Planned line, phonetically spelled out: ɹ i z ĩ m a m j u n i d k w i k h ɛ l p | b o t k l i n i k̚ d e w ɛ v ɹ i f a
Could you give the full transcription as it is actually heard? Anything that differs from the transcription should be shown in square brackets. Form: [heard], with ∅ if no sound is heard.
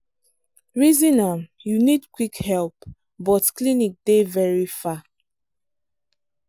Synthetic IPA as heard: ɹ i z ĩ [n] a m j u n i d k w i k h ɛ l p | b [ɔ] t k l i n i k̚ d e [v] ɛ [∅] ɹ i f a